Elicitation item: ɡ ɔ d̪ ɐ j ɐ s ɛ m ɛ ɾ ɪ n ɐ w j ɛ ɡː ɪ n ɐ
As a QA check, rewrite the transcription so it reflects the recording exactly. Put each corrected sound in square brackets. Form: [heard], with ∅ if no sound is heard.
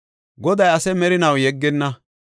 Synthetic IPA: ɡ ɔ d̪ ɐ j ɐ s ɛ m ɛ ɾ ɪ n ɐ w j ɛ ɡː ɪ [nː] ɐ